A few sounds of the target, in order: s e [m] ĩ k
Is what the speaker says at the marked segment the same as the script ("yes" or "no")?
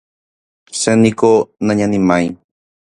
no